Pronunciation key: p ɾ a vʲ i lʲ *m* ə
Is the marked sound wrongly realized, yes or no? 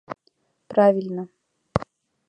yes